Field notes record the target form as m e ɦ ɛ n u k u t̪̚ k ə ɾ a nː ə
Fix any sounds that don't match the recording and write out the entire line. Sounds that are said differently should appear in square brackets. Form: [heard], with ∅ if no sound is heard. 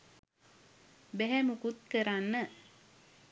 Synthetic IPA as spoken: [b] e ɦ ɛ [m] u k u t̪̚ k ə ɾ a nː ə